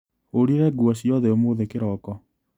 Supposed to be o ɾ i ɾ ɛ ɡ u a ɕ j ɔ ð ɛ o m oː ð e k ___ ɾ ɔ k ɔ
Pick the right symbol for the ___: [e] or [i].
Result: e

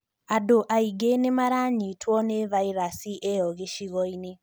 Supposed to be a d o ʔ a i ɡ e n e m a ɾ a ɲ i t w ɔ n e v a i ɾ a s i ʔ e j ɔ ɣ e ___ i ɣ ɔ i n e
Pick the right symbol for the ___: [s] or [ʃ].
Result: ʃ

